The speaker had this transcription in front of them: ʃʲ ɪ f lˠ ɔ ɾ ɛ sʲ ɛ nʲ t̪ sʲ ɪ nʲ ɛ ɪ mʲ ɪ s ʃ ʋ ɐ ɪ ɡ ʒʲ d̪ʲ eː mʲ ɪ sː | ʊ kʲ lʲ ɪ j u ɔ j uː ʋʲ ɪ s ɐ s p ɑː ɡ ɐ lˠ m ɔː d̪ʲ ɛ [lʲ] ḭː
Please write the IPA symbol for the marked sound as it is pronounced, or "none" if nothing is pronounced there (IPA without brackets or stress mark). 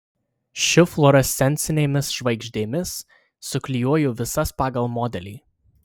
lʲ